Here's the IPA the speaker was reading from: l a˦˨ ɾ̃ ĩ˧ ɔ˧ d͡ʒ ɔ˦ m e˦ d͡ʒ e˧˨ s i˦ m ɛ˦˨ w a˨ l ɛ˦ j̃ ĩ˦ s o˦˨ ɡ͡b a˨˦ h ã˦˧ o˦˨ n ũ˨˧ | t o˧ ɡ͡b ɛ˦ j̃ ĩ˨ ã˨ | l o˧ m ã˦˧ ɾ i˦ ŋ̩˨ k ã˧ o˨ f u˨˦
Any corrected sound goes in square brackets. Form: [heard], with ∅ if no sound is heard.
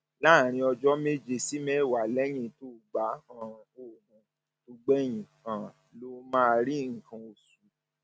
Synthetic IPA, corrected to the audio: l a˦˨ ɾ̃ ĩ˧ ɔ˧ d͡ʒ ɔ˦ m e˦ d͡ʒ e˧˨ s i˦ m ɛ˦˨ w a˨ l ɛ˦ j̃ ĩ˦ [t] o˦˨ ɡ͡b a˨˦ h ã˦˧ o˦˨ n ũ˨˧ | t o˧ ɡ͡b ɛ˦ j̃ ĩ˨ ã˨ | l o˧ m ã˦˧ ɾ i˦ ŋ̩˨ k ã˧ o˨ [s] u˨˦